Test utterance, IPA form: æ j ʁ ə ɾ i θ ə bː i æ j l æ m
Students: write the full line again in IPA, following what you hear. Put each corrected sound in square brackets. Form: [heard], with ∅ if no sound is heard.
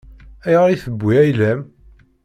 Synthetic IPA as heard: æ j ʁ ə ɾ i θ ə bː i æ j l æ m